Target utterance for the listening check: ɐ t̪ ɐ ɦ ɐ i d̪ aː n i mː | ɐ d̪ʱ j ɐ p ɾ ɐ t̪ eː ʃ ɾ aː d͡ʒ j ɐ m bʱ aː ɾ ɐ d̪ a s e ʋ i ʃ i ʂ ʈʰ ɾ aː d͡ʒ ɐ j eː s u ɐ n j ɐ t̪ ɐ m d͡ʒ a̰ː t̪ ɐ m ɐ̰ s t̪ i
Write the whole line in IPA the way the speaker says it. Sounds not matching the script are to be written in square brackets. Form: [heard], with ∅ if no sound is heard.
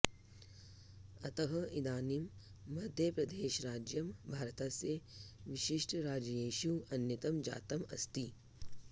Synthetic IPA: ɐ t̪ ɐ ɦ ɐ i d̪ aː n i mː | ɐ d̪ʱ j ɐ p ɾ ɐ [d̪] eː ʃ ɾ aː d͡ʒ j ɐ m bʱ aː ɾ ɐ [t̪] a s e ʋ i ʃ i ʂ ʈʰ ɾ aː d͡ʒ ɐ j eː [ʃ] u ɐ n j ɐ t̪ ɐ m d͡ʒ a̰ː t̪ ɐ m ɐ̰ s t̪ i